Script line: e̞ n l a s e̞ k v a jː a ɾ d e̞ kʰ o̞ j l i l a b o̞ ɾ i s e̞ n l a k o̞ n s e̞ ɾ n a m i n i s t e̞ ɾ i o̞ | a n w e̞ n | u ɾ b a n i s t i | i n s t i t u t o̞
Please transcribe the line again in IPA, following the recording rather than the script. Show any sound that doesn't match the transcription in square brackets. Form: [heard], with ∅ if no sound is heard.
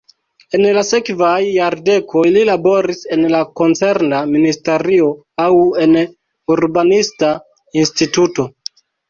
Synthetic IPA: e̞ n l a s e̞ k v a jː a ɾ d e̞ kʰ o̞ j l i l a b o̞ ɾ i s e̞ n l a k o̞ n [t͡s] e̞ ɾ n a m i n i s t e̞ ɾ i o̞ | a [∅] w e̞ n | u ɾ b a n i s t [a] | i n s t i t u t o̞